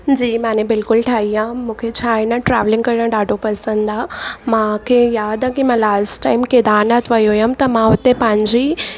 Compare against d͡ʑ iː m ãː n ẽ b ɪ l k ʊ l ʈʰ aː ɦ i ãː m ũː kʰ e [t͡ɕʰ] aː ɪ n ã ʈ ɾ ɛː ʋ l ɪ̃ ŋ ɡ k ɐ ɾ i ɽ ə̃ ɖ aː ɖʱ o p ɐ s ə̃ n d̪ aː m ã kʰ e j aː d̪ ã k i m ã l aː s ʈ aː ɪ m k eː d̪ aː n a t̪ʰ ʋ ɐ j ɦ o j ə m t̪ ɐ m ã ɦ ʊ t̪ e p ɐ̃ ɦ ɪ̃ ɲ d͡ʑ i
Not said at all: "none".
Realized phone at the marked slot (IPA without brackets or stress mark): t͡ɕʰ